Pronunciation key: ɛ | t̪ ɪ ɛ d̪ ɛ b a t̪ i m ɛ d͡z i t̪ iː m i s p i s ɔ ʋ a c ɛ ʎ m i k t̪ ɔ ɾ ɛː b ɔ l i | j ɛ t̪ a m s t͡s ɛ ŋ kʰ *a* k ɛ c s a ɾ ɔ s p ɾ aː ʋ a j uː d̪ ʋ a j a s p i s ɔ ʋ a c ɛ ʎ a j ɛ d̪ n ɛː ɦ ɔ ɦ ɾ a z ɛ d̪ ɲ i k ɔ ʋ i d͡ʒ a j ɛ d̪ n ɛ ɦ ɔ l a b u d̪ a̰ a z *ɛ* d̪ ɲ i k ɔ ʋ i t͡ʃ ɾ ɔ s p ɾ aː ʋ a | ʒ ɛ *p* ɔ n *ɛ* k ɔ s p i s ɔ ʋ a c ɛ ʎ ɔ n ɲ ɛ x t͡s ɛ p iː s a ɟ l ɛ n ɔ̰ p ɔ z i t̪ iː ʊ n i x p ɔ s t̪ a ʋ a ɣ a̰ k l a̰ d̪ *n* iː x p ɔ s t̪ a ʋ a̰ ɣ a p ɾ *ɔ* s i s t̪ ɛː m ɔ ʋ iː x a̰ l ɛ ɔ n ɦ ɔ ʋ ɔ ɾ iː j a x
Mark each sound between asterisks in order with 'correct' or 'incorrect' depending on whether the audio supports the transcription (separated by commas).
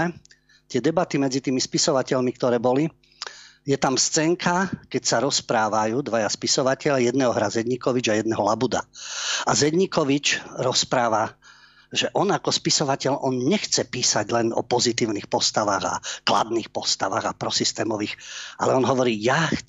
correct, correct, incorrect, incorrect, correct, correct